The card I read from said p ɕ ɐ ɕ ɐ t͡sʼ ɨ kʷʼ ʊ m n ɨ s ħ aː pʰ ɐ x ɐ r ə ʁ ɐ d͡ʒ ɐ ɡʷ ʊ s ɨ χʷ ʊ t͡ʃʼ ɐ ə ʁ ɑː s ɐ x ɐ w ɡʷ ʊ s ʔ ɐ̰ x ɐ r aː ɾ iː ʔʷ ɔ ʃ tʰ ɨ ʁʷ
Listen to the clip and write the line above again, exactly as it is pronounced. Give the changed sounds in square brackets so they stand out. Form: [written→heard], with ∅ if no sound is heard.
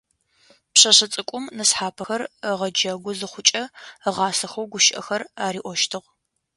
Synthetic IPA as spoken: p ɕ ɐ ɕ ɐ t͡sʼ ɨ kʷʼ ʊ m n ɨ s ħ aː pʰ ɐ x ɐ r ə ʁ ɐ d͡ʒ ɐ ɡʷ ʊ [s→z] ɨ χʷ ʊ t͡ʃʼ ɐ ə ʁ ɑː s ɐ x ɐ w ɡʷ ʊ [s→ʃ] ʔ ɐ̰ x ɐ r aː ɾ iː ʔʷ ɔ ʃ tʰ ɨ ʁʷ